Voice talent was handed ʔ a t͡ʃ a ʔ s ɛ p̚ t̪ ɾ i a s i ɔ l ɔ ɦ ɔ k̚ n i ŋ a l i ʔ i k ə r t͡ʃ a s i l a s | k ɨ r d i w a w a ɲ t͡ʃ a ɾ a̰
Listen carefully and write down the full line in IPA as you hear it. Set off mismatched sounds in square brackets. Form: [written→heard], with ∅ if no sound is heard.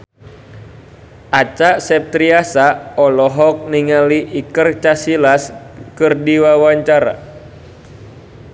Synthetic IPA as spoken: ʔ a t͡ʃ a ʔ s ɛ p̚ t̪ ɾ i a s [i→a] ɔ l ɔ ɦ ɔ k̚ n i ŋ a l i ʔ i k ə r t͡ʃ a s i l a s | k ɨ r d i w a w a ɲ t͡ʃ a ɾ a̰